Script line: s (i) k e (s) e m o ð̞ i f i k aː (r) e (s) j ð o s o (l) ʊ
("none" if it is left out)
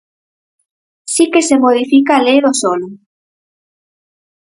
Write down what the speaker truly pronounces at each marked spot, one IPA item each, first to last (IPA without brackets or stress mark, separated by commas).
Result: i, s, l, none, l